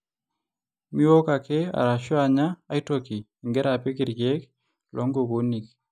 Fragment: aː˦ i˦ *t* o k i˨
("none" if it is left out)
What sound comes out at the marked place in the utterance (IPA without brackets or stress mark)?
t